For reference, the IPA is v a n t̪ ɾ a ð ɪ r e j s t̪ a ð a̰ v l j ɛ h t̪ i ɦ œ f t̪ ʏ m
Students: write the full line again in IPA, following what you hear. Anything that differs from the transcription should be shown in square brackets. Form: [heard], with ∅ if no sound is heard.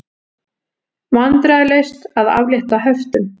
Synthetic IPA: v a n t̪ ɾ a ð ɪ [l] e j s t̪ a ð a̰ v l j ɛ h t̪ [a] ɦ œ f t̪ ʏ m